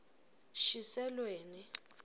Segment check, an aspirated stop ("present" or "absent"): absent